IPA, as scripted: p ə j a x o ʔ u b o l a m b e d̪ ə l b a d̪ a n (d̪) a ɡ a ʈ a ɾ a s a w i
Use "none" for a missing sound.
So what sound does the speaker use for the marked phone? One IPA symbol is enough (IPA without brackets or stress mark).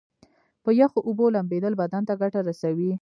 t̪